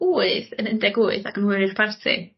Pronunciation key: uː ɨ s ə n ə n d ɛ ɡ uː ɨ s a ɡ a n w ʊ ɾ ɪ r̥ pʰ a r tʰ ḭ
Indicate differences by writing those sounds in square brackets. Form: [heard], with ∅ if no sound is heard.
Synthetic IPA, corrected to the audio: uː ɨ [θ] ə n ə n d ɛ ɡ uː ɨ [θ] a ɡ [ə] n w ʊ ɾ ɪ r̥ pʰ a r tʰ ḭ